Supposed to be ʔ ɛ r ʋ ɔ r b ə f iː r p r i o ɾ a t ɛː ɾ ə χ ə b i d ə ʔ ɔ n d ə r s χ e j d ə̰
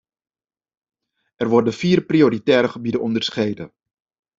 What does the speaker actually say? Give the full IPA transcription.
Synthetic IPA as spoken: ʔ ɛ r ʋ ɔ r d ə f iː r p r i o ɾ i t ɛː ɾ ə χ ə b i d ə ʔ ɔ n d ə r s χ e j d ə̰